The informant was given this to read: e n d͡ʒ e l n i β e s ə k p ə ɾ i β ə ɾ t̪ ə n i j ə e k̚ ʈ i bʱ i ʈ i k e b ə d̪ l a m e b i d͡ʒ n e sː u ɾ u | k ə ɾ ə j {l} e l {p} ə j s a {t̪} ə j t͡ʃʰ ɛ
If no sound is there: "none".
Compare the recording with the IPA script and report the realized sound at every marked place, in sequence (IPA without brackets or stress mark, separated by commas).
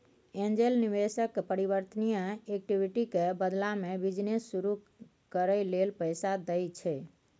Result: l, p, d̪